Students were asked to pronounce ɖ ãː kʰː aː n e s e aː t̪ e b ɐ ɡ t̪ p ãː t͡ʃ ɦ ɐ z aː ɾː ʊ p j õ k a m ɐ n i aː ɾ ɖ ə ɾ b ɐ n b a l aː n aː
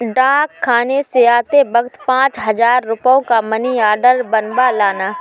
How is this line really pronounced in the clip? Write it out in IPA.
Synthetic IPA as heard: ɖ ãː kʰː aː n e s e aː t̪ e b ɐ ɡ t̪ p ãː t͡ʃ ɦ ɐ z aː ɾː ʊ p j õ k a m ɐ n i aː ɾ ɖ ə ɾ b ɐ n b a l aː n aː